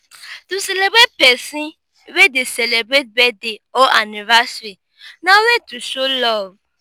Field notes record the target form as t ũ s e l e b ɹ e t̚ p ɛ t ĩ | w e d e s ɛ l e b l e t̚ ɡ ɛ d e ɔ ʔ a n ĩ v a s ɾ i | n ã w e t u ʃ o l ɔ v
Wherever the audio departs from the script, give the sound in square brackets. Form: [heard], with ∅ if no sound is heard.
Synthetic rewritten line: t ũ s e l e b [ɾ] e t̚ p ɛ [s] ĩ | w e d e s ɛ l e b [ɾ] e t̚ [b] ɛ d e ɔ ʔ a n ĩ v a s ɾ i | n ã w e t u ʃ o l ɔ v